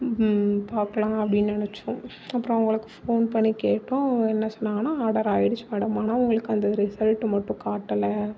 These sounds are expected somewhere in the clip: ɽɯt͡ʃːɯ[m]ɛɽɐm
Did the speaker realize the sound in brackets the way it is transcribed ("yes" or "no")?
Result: yes